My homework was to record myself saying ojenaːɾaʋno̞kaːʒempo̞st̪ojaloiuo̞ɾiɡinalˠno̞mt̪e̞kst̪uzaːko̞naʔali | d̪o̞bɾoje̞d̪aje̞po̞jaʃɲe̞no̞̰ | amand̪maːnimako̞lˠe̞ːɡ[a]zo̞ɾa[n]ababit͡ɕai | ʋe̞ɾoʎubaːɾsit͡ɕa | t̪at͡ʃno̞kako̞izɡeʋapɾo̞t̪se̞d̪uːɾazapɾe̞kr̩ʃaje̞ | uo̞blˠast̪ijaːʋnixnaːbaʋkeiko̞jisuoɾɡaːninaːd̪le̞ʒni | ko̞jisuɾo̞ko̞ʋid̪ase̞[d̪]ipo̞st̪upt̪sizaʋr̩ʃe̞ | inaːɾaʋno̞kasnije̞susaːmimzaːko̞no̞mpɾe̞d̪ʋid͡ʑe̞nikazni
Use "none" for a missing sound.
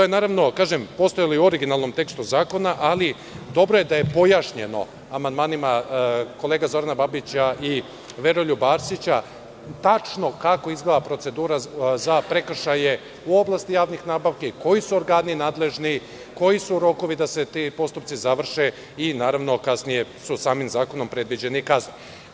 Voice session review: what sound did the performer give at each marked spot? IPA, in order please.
a, n, t̪

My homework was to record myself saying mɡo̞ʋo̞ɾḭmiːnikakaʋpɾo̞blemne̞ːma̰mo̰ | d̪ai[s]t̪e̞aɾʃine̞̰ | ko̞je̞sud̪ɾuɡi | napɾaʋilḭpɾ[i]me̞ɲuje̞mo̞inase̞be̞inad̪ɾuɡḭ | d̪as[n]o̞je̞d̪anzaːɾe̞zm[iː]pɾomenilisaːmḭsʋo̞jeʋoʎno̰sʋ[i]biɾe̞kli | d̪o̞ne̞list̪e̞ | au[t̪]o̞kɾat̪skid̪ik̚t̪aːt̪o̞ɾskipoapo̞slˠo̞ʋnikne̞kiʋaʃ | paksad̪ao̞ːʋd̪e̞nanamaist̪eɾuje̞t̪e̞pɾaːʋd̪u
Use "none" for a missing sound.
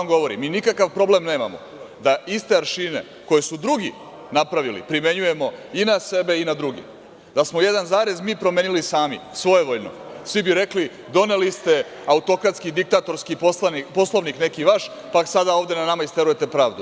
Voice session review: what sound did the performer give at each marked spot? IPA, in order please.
s, i, m, iː, i, t̪

